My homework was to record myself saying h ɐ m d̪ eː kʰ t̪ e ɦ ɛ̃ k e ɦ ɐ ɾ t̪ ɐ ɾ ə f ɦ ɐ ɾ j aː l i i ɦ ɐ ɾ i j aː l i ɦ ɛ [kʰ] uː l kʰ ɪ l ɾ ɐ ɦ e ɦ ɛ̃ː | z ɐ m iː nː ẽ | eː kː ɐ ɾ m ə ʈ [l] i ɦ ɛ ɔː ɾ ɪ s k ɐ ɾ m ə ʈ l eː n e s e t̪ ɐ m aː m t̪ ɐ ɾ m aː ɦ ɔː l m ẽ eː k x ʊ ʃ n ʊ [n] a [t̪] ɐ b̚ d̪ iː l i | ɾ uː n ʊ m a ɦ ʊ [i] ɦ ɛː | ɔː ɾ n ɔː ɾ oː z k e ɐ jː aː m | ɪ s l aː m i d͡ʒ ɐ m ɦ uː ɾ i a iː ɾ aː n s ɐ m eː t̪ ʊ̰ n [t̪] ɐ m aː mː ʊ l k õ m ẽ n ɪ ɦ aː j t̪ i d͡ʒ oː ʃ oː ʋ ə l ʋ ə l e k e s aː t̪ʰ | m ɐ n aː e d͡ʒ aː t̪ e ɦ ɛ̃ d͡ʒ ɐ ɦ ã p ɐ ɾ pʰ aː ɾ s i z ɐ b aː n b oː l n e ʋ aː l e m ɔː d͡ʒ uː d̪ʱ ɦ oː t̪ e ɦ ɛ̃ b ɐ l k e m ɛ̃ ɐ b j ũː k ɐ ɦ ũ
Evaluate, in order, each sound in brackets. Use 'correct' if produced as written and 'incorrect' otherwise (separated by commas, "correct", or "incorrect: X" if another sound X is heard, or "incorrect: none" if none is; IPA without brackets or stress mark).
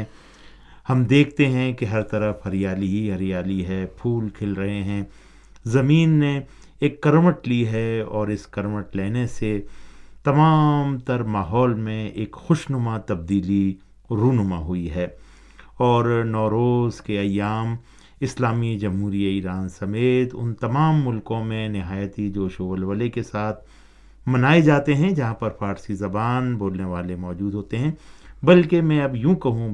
incorrect: pʰ, correct, incorrect: m, correct, correct, correct